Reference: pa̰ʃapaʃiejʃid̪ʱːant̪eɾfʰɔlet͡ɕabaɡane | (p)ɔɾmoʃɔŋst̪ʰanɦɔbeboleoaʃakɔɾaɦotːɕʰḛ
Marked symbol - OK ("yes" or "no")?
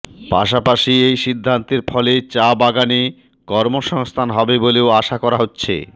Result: no